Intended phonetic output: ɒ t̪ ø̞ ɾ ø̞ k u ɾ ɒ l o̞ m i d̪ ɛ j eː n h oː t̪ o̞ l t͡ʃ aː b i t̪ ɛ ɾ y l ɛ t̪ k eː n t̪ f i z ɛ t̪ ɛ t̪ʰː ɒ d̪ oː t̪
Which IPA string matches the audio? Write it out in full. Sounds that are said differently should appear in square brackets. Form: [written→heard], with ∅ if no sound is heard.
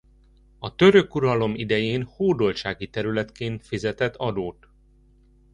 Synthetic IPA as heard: ɒ t̪ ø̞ ɾ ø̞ k u ɾ ɒ l o̞ m i d̪ ɛ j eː n h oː [t̪→d̪] o̞ l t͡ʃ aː [b→ɡ] i t̪ ɛ ɾ y l ɛ t̪ k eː n t̪ f i z ɛ t̪ ɛ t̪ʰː ɒ d̪ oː t̪